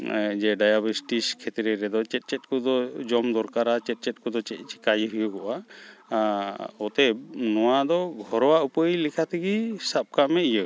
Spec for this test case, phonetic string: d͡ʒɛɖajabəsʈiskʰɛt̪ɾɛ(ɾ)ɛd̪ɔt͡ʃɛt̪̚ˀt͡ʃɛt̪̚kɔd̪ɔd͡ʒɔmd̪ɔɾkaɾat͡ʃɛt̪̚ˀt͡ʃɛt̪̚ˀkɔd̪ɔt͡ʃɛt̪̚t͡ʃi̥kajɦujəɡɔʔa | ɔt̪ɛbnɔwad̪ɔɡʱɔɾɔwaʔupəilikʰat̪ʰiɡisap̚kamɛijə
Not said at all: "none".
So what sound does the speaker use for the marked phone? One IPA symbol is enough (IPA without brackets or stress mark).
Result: ɾ